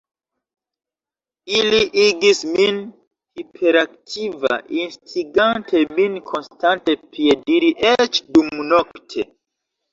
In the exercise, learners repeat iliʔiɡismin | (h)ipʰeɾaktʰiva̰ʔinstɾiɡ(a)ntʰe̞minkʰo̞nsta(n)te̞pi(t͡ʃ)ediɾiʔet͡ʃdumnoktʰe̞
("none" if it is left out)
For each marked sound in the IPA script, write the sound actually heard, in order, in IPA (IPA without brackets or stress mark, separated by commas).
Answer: h, a, n, none